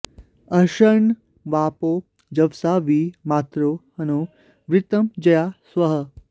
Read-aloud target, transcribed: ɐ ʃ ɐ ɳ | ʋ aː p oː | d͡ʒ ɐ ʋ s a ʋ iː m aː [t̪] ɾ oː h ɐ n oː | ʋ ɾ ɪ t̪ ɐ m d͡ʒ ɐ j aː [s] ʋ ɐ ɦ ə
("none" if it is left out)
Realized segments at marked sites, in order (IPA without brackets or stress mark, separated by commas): t̪, s